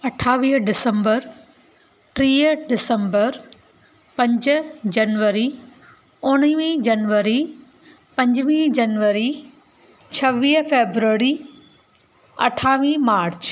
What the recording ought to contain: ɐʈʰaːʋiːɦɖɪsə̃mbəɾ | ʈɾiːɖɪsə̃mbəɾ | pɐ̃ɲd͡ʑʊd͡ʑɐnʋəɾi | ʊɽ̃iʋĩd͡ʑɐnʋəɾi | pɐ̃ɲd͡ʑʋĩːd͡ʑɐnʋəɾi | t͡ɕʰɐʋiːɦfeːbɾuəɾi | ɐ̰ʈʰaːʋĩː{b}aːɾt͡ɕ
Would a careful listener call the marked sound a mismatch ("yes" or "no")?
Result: yes